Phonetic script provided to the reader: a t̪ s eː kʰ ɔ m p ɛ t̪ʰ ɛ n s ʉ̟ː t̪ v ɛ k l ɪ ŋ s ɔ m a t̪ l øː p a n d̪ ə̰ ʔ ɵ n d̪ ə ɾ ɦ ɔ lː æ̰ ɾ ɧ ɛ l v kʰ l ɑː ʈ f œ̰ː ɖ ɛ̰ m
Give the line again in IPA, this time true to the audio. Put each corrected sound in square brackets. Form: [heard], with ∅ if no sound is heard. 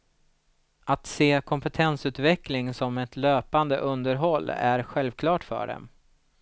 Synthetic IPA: a t̪ s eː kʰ ɔ m p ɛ t̪ʰ ɛ n s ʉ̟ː t̪ v ɛ k l ɪ ŋ s ɔ m [ɛ] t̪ l øː p a n d̪ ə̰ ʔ ɵ n d̪ ə ɾ ɦ ɔ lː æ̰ ɾ ɧ ɛ l v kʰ l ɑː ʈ f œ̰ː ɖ ɛ̰ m